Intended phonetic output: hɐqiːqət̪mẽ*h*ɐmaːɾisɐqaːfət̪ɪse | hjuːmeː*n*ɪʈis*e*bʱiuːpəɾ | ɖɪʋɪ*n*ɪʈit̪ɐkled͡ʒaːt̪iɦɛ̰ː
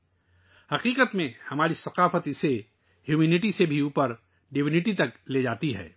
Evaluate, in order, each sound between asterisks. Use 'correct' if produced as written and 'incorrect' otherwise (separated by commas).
correct, correct, correct, correct